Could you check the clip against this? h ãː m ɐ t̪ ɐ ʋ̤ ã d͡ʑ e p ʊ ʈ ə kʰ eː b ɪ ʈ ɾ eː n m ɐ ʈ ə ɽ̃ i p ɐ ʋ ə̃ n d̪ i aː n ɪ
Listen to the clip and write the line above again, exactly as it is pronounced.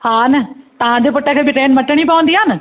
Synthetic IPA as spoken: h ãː n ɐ t̪ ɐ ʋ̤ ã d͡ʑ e p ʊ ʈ ə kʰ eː b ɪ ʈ ɾ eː n m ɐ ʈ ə ɽ̃ i p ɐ ʋ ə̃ n d̪ i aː n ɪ

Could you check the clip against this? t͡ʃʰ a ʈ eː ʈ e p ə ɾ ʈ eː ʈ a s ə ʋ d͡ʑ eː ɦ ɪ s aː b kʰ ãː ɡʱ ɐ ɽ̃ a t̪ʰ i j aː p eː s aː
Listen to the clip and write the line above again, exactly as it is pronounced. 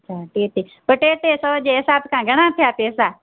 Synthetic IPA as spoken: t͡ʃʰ a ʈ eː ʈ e p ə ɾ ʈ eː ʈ e s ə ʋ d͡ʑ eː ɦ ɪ s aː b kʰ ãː ɡʱ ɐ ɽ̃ a t̪ʰ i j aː p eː s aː

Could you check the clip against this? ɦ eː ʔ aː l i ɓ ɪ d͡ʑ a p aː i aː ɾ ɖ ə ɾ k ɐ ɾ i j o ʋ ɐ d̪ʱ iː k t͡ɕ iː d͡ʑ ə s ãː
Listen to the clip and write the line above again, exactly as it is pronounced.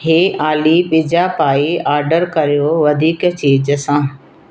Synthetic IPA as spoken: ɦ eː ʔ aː l i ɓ ɪ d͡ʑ a p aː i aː ɾ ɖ ə ɾ k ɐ ɾ i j o ʋ ɐ d̪ʱ iː k t͡ɕ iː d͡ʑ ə s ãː

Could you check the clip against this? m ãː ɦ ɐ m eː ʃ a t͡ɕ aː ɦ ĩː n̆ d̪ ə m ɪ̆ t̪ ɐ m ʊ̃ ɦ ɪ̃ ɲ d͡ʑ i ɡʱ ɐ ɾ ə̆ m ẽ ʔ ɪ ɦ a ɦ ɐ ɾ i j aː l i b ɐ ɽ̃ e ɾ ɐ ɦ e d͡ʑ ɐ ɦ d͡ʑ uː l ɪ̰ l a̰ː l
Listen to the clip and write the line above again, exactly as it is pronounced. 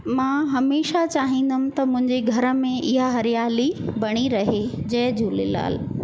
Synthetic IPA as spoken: m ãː ɦ ɐ m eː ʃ a t͡ɕ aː ɦ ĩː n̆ d̪ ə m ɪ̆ t̪ ɐ m ʊ̃ ɦ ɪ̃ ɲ d͡ʑ e ɡʱ ɐ ɾ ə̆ m ẽ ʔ ɪ ɦ a ɦ ɐ ɾ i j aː l i b ɐ ɽ̃ i ɾ ɐ ɦ e d͡ʑ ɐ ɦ d͡ʑ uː l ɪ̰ l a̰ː l

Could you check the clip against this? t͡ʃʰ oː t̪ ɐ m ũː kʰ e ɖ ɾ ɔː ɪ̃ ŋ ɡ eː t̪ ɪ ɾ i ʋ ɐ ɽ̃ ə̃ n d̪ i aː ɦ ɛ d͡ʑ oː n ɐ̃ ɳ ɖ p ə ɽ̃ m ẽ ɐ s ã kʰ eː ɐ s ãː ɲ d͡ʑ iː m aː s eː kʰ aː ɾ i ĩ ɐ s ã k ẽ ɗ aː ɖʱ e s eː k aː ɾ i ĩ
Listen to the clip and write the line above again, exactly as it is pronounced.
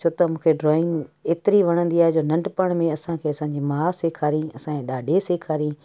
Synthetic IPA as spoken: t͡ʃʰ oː t̪ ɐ m ũː kʰ e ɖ ɾ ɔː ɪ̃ ŋ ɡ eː t̪ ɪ ɾ i ʋ ɐ ɽ̃ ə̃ n d̪ i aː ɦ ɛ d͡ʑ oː n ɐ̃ ɳ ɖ p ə ɽ̃ m ẽ ɐ s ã kʰ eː ɐ s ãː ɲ d͡ʑ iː m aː s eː kʰ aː ɾ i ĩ ɐ s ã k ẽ ɗ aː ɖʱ e s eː kʰ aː ɾ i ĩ

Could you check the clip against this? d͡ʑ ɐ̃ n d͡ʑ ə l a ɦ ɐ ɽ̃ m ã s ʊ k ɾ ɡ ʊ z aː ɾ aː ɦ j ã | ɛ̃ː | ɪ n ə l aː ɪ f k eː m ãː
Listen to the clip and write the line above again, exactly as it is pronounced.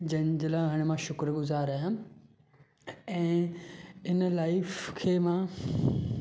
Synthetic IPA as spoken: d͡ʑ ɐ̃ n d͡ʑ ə l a ɦ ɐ ɽ̃ m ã ʃ ʊ k ɾ ɡ ʊ z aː ɾ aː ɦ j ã | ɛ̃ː | ɪ n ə l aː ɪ f kʰ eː m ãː

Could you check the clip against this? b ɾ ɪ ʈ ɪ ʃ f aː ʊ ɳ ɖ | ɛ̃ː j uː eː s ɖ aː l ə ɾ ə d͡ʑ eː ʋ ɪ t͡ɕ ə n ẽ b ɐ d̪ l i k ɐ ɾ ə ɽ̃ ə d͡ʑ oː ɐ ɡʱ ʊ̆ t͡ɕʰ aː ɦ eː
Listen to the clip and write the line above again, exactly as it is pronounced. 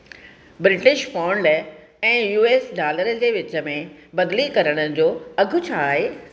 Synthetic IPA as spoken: b ɾ ɪ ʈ ɪ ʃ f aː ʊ ɳ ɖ | ɛ̃ː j uː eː s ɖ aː l ə ɾ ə d͡ʑ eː ʋ ɪ t͡ɕ ə m ẽ b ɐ d̪ l i k ɐ ɾ ə ɽ̃ ə d͡ʑ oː ɐ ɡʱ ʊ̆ t͡ɕʰ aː ɦ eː

